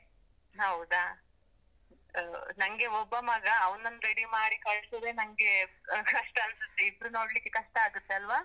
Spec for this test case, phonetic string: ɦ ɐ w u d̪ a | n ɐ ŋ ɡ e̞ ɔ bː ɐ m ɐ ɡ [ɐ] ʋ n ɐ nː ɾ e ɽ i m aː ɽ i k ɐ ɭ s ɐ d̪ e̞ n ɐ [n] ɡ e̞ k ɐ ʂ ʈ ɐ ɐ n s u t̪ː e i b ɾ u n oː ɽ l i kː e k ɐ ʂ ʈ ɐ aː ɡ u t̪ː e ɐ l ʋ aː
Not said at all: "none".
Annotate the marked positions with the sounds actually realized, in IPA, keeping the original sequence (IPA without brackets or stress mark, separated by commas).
ɐː, ŋ